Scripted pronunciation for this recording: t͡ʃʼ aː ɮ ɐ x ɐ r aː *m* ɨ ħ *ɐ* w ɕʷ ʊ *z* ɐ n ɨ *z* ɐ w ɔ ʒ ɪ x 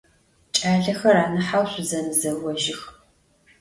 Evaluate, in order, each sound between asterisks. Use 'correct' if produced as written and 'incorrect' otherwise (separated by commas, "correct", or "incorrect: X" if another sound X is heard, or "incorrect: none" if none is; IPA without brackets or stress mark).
incorrect: n, incorrect: a, correct, correct